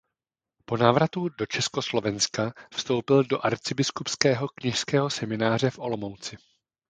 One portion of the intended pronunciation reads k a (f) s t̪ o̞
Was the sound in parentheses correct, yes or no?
yes